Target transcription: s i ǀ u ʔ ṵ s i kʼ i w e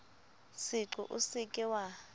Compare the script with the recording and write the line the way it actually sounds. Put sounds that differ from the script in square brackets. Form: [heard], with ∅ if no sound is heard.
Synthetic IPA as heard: s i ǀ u ʔ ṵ s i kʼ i w [a]